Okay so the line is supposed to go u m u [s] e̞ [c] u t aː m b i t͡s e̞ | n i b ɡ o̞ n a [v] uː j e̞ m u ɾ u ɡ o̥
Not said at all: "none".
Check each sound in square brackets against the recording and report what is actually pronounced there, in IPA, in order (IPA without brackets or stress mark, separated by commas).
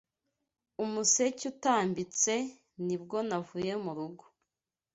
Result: s, c, v